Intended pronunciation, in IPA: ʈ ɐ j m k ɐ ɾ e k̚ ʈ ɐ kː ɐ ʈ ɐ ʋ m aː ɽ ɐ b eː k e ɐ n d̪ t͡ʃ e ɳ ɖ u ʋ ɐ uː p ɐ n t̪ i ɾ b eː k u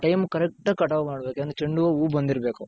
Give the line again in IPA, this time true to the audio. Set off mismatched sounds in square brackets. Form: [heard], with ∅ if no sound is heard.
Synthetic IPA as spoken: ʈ ɐ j m k ɐ ɾ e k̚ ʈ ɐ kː ɐ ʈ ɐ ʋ m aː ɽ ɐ b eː k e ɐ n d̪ t͡ʃ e ɳ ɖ u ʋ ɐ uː [b] ɐ n [d̪] i ɾ b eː k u